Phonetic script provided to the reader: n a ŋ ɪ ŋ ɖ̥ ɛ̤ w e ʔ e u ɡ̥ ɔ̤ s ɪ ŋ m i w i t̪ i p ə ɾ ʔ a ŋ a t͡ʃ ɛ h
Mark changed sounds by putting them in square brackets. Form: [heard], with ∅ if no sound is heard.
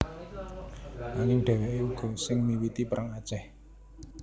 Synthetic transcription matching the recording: n a ŋ ɪ ŋ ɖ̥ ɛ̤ w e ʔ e u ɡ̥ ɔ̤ s ɪ ŋ m i w i t̪ i p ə ɾ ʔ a ŋ a t͡ʃ ɛ h